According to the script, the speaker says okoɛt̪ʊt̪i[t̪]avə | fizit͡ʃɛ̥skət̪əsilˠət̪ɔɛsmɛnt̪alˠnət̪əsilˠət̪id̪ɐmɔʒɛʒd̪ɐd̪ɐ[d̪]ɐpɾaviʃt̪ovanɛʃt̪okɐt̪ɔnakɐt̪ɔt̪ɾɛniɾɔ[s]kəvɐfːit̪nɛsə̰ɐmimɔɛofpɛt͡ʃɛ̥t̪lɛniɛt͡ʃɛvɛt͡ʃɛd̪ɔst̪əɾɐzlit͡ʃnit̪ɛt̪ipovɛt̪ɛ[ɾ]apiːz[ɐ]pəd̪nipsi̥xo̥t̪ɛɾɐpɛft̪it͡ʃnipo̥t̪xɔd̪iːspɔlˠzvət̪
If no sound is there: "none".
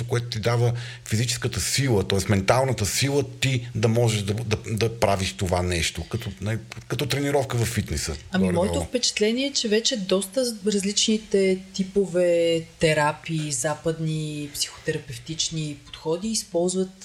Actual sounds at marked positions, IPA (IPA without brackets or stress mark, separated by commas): d̪, d̪, f, ɾ, a